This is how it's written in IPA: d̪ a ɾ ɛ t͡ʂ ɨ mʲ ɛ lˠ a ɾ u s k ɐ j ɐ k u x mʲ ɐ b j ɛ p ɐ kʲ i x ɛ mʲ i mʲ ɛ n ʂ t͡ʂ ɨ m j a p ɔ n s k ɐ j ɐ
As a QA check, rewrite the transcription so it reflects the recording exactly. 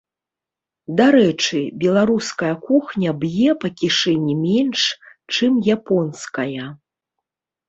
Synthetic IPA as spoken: d̪ a ɾ ɛ t͡ʂ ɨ bʲ ɛ lˠ a ɾ u s k ɐ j ɐ k u x nʲ ɐ b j ɛ p ɐ kʲ i ʂ ɛ nʲ i mʲ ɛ n ʂ t͡ʂ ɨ m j a p ɔ n s k ɐ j ɐ

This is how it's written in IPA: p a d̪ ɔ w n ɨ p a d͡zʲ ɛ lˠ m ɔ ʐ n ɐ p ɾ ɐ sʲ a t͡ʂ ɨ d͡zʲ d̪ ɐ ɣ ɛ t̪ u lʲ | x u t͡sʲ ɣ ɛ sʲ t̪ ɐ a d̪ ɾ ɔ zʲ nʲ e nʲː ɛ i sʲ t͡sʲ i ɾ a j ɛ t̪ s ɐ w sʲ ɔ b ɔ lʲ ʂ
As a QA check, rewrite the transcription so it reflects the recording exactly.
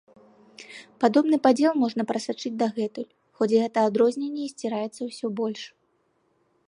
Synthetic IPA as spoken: p a d̪ ɔ b n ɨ p a d͡zʲ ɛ lˠ m ɔ ʐ n ɐ p ɾ ɐ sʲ a t͡ʂ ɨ d͡zʲ d̪ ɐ ɣ ɛ t̪ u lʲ | x ɔ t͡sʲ ɣ ɛ t̪ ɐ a d̪ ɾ ɔ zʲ nʲ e nʲː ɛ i sʲ t͡sʲ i ɾ a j ɛ t̪ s ɐ w sʲ ɔ b ɔ lʲ ʂ

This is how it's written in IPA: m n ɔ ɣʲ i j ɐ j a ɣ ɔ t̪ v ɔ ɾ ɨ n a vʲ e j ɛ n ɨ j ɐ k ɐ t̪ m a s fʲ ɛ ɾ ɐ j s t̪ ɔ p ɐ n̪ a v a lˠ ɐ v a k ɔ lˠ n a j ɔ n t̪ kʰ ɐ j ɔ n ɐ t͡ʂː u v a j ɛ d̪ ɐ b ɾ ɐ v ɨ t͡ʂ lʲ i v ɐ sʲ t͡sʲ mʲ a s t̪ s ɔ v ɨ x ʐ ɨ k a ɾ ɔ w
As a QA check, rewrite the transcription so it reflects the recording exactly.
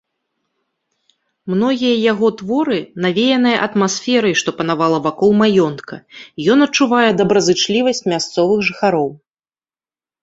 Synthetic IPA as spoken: m n ɔ ɣʲ i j ɐ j a ɣ ɔ t̪ v ɔ ɾ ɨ n a vʲ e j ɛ n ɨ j ɐ ʔ ɐ t̪ m a s fʲ ɛ ɾ ɐ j ʂ t̪ ɔ p ɐ n̪ a v a lˠ ɐ v a k ɔ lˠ m a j ɔ n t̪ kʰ ɐ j ɔ n ɐ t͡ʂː u v a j ɛ d̪ ɐ b ɾ ɐ z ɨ t͡ʂ lʲ i v ɐ sʲ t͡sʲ mʲ a s t̪ s ɔ v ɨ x ʐ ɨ x a ɾ ɔ w

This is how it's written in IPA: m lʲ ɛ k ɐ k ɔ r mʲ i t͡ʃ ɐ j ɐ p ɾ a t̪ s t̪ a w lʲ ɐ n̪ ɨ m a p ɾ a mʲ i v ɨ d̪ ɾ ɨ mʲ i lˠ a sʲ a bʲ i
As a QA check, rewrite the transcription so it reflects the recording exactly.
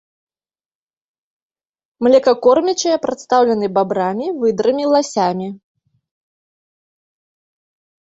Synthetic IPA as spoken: m lʲ ɛ k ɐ k ɔ r mʲ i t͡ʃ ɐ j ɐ p ɾ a t̪ s t̪ a w lʲ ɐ n̪ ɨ b a b ɾ a mʲ i v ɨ d̪ ɾ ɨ mʲ i lˠ a sʲ a mʲ i

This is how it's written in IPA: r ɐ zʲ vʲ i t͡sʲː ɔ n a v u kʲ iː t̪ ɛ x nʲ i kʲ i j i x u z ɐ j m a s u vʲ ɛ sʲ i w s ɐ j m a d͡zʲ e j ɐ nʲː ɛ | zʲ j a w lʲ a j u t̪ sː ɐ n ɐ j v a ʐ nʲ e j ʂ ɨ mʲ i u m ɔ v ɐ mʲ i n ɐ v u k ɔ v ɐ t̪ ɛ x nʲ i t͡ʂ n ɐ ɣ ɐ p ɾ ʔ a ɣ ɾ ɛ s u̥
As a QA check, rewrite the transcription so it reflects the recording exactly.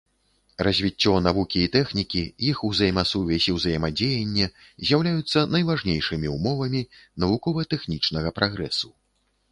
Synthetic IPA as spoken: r ɐ zʲ vʲ i t͡sʲː ɔ n a v u kʲ iː t̪ ɛ x nʲ i kʲ i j i x u z ɐ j m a s u vʲ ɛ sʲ i w z ɐ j m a d͡zʲ e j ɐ nʲː ɛ | zʲ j a w lʲ a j u t̪ sː ɐ n ɐ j v a ʐ nʲ e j ʂ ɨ mʲ i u m ɔ v ɐ mʲ i n ɐ v u k ɔ v ɐ t̪ ɛ x nʲ i t͡ʂ n ɐ ɣ ɐ p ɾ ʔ a ɣ ɾ ɛ s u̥

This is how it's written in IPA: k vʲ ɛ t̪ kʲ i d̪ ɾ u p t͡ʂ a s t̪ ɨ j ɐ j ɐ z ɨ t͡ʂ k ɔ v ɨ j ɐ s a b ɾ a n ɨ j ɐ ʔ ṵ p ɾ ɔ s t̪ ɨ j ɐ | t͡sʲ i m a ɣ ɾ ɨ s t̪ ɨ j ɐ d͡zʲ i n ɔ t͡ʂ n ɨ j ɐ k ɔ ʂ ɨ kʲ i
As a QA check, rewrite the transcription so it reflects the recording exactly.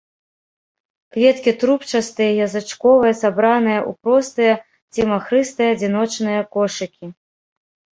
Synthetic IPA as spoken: k vʲ ɛ t̪ kʲ i t̪ ɾ u p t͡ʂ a s t̪ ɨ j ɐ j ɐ z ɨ t͡ʂ k ɔ v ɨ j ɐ s a b ɾ a n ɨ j ɐ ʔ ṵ p ɾ ɔ s t̪ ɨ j ɐ | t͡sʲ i m a x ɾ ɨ s t̪ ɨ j ɐ d͡zʲ i n ɔ t͡ʂ n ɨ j ɐ k ɔ ʂ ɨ kʲ i

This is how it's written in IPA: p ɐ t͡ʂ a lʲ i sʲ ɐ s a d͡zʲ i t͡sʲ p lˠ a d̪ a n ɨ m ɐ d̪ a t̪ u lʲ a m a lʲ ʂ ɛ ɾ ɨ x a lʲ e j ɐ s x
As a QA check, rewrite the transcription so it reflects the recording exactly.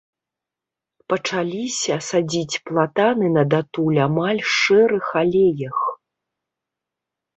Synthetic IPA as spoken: p ɐ t͡ʂ a lʲ i sʲ ɐ s a d͡zʲ i t͡sʲ p lˠ a t̪ a n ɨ n ɐ d̪ a t̪ u lʲ a m a lʲ ʂ ɛ ɾ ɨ x a lʲ e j ɐ x

